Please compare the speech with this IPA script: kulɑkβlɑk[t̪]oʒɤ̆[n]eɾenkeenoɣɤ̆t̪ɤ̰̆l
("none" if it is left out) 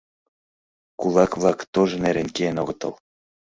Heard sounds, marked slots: t̪, n

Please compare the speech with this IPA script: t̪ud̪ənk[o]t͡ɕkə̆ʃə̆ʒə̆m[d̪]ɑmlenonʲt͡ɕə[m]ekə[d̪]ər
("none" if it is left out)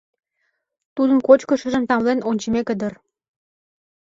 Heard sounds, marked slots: o, t̪, m, d̪

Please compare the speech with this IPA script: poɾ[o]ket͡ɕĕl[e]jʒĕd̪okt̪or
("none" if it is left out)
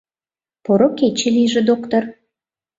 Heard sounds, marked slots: o, i

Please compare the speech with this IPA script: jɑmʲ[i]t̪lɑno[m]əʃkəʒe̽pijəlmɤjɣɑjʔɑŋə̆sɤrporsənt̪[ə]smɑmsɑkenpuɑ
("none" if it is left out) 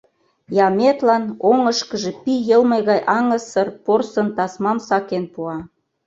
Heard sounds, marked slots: e, ŋ, ɑ

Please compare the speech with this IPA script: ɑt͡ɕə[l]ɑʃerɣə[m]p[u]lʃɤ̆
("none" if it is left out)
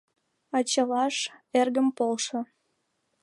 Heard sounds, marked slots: l, m, o

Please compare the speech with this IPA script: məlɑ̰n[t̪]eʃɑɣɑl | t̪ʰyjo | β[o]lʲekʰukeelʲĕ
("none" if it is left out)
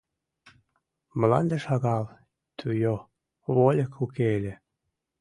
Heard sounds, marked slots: d̪, o

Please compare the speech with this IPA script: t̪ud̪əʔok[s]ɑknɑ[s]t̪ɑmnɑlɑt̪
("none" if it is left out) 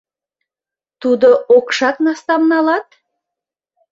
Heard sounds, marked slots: ʃ, s

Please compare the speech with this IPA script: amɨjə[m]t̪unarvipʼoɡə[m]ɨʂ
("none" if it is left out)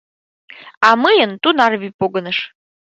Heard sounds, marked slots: n, n

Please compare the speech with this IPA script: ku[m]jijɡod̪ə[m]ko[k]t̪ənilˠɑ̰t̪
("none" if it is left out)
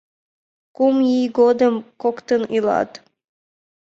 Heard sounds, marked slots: m, m, k

